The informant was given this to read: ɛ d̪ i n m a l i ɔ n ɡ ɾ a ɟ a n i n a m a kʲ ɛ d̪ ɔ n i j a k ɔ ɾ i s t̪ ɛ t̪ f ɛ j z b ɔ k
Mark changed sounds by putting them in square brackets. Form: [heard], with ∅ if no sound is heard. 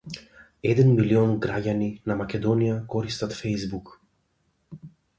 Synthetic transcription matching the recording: ɛ d̪ [ɛ] n m [i] l i ɔ n ɡ ɾ a ɟ a n i n a m a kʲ ɛ d̪ ɔ n i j a k ɔ ɾ i s t̪ [a] t̪ f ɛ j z b [u] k

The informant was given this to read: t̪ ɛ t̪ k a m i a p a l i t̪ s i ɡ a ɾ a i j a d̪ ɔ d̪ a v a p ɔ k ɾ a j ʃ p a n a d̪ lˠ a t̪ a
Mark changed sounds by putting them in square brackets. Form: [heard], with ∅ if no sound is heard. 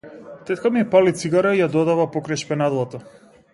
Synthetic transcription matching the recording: t̪ ɛ t̪ k a m i [ɛ] p a l i t̪ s i ɡ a ɾ a i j a d̪ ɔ d̪ a v a p ɔ k ɾ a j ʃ p [ɛ] n a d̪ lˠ a t̪ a

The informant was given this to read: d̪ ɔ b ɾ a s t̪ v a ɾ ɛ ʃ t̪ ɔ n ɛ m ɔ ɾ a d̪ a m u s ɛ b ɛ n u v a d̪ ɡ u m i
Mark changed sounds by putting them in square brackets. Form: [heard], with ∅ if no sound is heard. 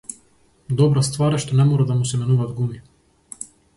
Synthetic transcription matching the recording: d̪ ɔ b ɾ a s t̪ v a ɾ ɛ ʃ t̪ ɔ n ɛ m ɔ ɾ a d̪ a m u s ɛ [m] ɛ n u v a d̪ ɡ u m i

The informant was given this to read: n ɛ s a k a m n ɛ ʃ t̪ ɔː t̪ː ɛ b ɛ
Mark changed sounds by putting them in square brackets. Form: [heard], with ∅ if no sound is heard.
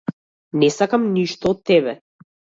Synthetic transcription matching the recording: n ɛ s a k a m n [i] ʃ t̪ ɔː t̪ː ɛ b ɛ

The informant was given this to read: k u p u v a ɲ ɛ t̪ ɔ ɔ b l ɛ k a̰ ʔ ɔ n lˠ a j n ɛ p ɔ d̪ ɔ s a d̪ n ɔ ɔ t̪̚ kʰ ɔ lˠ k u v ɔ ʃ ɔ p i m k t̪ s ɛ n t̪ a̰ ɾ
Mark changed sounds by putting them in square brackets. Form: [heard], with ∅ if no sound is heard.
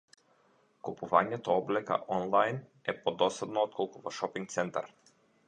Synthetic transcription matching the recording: k u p u v a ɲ ɛ t̪ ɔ ɔ b l ɛ k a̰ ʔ ɔ n lˠ a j n ɛ p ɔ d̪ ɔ s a d̪ n ɔ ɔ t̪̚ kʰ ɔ lˠ k u v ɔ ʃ ɔ p i [ŋ] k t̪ s ɛ n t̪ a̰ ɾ

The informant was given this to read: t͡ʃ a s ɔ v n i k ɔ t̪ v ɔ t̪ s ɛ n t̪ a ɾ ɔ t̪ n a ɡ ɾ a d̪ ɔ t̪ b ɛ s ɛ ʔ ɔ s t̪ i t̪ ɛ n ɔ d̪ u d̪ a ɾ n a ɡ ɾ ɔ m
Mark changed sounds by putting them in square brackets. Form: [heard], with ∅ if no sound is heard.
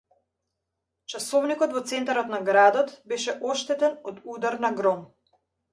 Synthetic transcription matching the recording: t͡ʃ a s ɔ v n i k ɔ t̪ v ɔ t̪ s ɛ n t̪ a ɾ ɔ t̪ n a ɡ ɾ a d̪ ɔ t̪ b ɛ [ʃ] ɛ ʔ ɔ [ʃ] t̪ [ɛ] t̪ ɛ n ɔ d̪ u d̪ a ɾ n a ɡ ɾ ɔ m

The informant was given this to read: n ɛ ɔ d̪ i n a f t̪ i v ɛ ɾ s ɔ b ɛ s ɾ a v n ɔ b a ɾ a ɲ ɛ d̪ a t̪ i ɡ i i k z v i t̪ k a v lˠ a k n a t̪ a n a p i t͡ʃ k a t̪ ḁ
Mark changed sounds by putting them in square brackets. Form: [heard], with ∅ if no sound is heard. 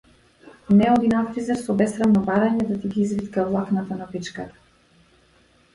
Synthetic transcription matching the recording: n ɛ ɔ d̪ i n a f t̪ i [z] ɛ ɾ s ɔ b ɛ s ɾ a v n ɔ b a ɾ a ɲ ɛ d̪ a t̪ i ɡ i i [∅] z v i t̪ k a v lˠ a k n a t̪ a n a p i t͡ʃ k a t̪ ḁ

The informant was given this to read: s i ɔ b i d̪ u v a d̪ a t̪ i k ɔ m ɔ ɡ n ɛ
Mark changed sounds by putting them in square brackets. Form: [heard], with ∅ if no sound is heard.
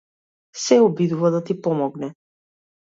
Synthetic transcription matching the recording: s [ɛ] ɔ b i d̪ u v a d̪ a t̪ i [p] ɔ m ɔ ɡ n ɛ

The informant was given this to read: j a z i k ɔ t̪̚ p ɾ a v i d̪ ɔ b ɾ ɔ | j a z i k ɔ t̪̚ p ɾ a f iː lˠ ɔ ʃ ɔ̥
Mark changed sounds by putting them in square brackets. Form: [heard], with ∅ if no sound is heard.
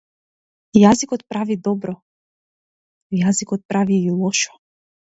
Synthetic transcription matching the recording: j a z i k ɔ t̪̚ p ɾ a v i d̪ ɔ b ɾ ɔ | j a z i k ɔ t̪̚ p ɾ a [v] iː lˠ ɔ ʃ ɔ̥

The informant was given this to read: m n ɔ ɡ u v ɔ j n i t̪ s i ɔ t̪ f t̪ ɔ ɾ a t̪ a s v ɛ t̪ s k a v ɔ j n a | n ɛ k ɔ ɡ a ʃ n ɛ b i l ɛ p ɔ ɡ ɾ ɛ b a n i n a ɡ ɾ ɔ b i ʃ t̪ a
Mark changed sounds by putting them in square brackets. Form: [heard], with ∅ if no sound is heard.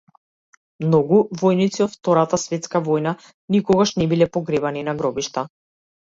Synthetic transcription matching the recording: m n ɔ ɡ u v ɔ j n i t̪ s i ɔ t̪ f t̪ ɔ ɾ a t̪ a s v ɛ t̪ s k a v ɔ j n a | n [i] k ɔ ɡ a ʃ n ɛ b i l ɛ p ɔ ɡ ɾ ɛ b a n i n a ɡ ɾ ɔ b i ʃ t̪ a

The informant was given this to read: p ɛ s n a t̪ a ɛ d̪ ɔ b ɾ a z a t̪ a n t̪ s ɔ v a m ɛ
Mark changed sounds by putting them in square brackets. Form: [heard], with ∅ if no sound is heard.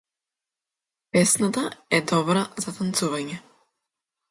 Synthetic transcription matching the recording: p ɛ s n a t̪ a ɛ d̪ ɔ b ɾ a z a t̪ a n t̪ s [u] v a [ɲ] ɛ

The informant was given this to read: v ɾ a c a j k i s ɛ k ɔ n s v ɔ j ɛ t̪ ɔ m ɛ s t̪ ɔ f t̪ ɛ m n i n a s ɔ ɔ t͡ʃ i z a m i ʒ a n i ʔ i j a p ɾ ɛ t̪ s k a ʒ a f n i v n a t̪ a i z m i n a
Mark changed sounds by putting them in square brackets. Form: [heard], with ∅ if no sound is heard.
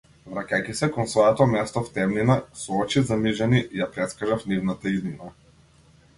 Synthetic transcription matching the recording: v ɾ a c a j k i s ɛ k ɔ n s v ɔ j ɛ t̪ ɔ m ɛ s t̪ ɔ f t̪ ɛ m n i n a s ɔ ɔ t͡ʃ i z a m i ʒ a n i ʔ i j a p ɾ ɛ t̪ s k a ʒ a f n i v n a t̪ a i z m i n a

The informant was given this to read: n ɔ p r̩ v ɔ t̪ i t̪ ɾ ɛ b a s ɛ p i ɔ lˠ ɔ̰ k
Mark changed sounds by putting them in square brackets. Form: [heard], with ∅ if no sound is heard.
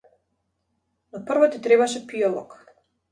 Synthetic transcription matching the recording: n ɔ p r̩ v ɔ t̪ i t̪ ɾ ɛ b a [ʃ] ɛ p i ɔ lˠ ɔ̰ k

